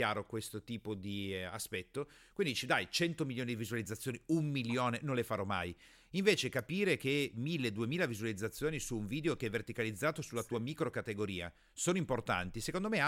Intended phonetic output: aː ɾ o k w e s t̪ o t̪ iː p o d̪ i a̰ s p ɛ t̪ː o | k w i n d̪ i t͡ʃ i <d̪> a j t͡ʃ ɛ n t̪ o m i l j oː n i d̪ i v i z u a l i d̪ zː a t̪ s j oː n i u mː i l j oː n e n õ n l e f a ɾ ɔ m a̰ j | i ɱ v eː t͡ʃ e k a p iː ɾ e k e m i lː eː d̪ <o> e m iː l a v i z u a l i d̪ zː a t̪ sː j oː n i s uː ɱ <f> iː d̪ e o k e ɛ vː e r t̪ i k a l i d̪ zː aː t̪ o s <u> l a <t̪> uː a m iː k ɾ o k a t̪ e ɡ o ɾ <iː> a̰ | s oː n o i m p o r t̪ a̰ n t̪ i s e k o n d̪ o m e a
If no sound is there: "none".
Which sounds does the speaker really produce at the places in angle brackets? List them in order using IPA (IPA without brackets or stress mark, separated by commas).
d̪, u, v, u, t̪, iː